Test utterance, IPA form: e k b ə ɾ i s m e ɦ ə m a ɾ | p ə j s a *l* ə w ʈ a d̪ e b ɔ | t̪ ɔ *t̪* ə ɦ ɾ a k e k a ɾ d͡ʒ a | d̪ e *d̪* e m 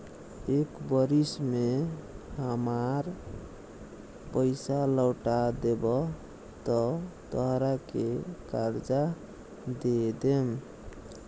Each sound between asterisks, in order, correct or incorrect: correct, correct, correct

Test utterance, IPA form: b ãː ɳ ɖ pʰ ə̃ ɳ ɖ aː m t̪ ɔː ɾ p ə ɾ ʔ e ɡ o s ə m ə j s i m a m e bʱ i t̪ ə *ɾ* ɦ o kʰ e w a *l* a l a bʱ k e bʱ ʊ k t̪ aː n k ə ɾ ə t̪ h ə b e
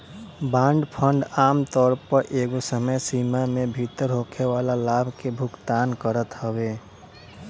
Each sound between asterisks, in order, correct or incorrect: correct, correct

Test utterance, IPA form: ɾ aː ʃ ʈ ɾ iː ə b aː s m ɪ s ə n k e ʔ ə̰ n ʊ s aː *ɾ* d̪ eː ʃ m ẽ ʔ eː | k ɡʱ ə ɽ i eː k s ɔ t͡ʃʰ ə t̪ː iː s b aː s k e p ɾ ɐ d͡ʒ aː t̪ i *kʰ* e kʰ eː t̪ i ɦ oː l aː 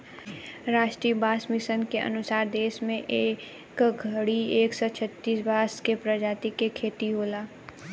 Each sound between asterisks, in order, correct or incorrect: correct, incorrect: k

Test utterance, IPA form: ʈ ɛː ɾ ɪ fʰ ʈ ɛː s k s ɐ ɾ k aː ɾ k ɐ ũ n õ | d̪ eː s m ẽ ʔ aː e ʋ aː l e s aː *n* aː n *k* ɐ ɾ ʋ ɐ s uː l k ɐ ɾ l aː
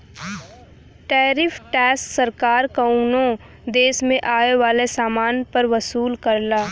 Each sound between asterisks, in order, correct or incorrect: incorrect: m, incorrect: p

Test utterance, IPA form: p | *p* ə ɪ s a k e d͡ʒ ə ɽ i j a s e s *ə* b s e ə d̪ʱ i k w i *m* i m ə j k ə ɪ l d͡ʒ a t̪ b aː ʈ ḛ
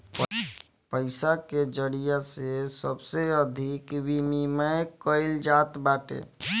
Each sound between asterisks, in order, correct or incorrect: correct, correct, correct

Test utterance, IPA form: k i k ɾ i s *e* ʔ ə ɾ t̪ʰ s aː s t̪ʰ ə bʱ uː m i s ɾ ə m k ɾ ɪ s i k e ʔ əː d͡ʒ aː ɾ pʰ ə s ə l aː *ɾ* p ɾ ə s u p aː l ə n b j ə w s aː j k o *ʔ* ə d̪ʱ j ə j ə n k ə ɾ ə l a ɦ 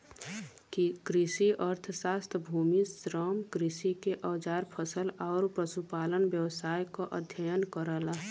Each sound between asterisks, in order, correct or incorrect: incorrect: i, correct, correct

